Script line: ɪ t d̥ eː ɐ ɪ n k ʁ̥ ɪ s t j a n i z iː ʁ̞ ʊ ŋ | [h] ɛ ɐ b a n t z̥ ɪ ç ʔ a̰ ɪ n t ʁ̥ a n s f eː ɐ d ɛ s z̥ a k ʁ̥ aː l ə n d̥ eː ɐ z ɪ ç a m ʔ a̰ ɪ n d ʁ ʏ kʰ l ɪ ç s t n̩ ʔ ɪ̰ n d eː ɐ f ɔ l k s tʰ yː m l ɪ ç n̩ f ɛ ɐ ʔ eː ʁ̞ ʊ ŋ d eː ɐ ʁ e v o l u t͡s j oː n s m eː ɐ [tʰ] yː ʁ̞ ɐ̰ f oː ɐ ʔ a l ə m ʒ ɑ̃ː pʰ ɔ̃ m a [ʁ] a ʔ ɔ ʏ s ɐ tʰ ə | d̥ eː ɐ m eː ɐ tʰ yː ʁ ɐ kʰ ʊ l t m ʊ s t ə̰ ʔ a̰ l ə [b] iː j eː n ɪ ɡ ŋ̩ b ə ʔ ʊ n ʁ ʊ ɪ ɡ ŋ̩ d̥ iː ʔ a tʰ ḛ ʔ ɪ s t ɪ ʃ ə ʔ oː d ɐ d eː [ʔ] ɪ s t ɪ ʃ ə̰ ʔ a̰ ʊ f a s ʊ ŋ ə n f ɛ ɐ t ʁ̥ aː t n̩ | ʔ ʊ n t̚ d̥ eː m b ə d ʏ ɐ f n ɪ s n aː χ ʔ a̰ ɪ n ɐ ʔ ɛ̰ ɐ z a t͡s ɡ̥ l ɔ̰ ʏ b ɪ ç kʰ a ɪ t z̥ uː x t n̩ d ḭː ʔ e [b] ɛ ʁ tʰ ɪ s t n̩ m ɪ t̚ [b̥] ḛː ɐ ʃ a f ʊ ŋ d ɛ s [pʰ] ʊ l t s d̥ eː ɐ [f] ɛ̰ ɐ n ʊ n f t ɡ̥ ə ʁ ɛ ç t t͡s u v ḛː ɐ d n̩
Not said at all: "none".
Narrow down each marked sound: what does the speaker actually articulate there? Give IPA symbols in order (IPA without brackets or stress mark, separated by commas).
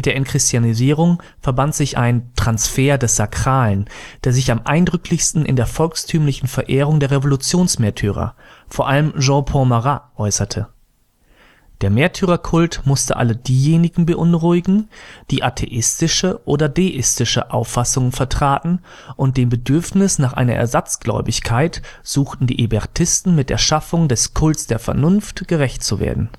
f, tʰ, ʁ, d, ʔ, b, d̥, kʰ, f